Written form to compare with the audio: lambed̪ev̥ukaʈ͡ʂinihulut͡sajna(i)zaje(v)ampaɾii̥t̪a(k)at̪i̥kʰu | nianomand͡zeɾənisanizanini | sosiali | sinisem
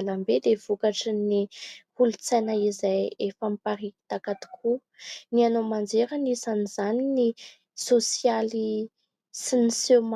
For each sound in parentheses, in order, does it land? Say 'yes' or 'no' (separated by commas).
yes, no, yes